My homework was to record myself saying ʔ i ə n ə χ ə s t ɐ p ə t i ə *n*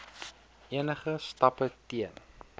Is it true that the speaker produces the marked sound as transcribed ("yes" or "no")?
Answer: yes